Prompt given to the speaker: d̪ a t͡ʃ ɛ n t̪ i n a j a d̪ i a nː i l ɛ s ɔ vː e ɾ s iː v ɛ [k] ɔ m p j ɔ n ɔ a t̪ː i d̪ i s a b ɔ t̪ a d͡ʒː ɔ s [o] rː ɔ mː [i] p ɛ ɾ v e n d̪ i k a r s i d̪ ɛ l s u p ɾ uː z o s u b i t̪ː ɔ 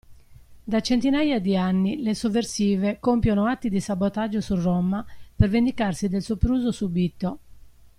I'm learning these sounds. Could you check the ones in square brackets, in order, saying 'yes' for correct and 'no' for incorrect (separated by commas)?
yes, no, no